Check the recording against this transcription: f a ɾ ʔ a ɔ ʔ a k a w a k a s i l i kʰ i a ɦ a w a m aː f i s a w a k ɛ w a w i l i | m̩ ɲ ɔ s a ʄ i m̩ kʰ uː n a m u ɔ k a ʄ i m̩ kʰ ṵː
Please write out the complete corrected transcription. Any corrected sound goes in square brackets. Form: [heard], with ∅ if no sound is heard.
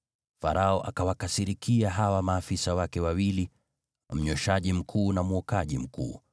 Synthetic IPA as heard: f a ɾ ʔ a ɔ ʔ a k a w a k a s i [ɾ] i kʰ i a ɦ a w a m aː f i s a w a k ɛ w a w i l i | m̩ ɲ ɔ [ʃ] a ʄ i m̩ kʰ uː n a m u ɔ k a ʄ i m̩ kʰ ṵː